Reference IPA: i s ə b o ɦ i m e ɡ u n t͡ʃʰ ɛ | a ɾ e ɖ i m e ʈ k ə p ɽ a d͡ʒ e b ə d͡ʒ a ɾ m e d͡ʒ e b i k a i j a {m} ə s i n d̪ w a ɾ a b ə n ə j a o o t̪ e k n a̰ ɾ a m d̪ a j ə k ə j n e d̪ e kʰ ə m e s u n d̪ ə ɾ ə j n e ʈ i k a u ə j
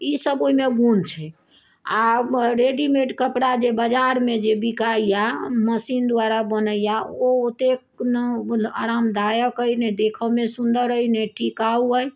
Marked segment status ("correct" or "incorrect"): correct